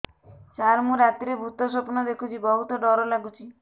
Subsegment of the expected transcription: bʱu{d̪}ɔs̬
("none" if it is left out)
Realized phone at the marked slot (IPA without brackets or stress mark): t̪